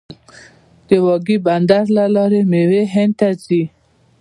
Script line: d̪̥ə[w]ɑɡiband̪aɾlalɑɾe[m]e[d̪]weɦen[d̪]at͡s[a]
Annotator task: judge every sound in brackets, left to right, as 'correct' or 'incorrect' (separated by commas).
correct, correct, incorrect, incorrect, incorrect